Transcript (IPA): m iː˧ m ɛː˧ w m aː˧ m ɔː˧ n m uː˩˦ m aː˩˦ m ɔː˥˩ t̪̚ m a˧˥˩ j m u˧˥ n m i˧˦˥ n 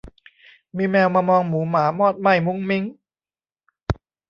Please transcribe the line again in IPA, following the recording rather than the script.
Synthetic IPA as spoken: m iː˧ m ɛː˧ w m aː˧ m ɔː˧ ŋ m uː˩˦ m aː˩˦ m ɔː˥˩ t̪̚ m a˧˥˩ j m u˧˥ ŋ m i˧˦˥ ŋ